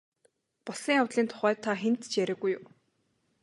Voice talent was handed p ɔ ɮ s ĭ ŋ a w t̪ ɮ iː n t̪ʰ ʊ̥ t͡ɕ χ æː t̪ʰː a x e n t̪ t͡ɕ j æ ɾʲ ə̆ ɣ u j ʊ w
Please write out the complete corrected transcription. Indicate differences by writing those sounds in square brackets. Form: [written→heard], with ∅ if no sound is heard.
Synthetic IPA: p ɔ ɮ s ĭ ŋ a w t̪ ɮ iː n t̪ʰ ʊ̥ [t͡ɕ→∅] χ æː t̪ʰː a x e n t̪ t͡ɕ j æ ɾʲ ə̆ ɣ u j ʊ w